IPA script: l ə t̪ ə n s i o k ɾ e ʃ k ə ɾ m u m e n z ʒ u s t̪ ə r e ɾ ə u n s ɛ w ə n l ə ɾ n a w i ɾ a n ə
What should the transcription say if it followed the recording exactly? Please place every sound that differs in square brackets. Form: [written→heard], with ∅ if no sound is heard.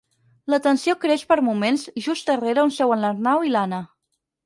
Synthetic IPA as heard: l ə t̪ ə n s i o k ɾ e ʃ [k→p] ə ɾ m u m e n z ʒ u s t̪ ə r e ɾ ə u n s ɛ w ə n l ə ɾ n a w i [ɾ→l] a n ə